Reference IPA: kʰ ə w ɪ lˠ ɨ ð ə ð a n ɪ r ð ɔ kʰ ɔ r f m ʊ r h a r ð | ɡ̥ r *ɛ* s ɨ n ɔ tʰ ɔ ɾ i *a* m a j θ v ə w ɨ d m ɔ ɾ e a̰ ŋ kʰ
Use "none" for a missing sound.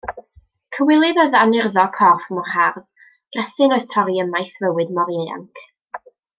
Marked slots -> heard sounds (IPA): ɛ, ə

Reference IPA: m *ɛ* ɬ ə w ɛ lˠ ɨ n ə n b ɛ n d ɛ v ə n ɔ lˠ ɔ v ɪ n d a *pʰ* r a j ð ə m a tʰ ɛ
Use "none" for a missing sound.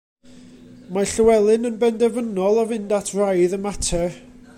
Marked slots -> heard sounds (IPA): a, tʰ

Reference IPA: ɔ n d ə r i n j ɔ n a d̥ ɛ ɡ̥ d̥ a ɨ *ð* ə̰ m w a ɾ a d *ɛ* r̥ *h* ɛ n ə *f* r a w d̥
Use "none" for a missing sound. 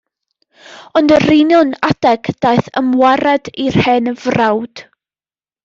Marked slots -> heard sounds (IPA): θ, i, h, v

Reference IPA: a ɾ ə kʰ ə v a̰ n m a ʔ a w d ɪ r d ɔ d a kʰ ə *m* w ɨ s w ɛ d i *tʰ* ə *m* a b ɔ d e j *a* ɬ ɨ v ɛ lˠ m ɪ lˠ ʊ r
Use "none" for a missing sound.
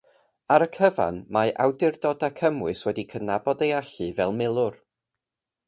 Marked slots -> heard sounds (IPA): m, kʰ, n, a

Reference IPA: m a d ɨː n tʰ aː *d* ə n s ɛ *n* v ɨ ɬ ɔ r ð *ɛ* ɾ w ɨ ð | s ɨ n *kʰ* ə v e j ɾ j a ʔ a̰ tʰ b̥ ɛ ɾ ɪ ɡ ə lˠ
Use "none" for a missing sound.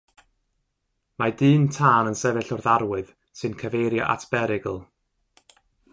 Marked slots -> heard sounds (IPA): n, none, a, kʰ

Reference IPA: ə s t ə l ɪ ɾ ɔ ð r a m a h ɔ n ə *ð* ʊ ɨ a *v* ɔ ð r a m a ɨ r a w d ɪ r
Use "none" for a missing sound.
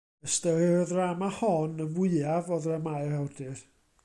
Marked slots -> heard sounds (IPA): v, v

